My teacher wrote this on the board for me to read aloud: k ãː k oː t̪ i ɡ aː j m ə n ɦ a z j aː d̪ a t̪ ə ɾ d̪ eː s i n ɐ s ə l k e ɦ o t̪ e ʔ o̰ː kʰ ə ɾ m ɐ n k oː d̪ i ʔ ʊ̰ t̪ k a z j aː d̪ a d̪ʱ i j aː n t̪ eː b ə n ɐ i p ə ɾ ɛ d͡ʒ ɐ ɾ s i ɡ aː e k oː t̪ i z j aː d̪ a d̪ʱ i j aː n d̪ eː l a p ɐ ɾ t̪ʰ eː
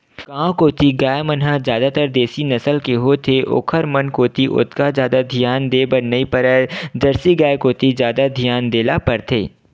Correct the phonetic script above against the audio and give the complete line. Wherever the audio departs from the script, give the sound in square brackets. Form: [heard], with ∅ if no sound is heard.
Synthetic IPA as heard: k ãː k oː t̪ i ɡ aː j m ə n ɦ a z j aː d̪ a t̪ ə ɾ d̪ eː s i n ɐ s ə l k e ɦ o [t̪ʰ] e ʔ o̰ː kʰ ə ɾ m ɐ n k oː [t̪] i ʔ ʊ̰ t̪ k a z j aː d̪ a d̪ʱ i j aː n [d̪] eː b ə n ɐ i p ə ɾ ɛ d͡ʒ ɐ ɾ s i ɡ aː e k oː t̪ i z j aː d̪ a d̪ʱ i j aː n d̪ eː l a p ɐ ɾ t̪ʰ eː